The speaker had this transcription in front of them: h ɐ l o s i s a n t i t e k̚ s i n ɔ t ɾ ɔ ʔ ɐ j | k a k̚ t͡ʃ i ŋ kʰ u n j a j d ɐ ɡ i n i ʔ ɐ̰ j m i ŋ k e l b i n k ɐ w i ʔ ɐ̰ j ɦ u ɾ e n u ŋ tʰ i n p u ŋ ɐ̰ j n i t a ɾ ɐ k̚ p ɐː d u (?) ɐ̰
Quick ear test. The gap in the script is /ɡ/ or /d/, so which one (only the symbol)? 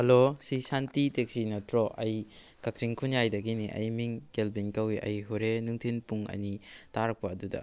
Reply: d